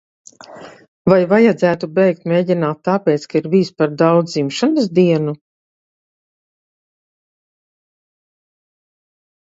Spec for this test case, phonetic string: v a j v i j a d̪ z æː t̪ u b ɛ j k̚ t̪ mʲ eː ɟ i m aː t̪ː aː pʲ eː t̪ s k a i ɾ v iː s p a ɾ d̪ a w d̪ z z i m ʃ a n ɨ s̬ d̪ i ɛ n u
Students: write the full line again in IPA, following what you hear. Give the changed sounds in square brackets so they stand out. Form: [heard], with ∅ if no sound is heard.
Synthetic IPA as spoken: v a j v [a] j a d̪ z æː t̪ u b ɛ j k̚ t̪ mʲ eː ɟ i [n] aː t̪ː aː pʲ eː t̪ s k a i ɾ v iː s p a ɾ d̪ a w d̪ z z i m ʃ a n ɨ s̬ d̪ i ɛ n u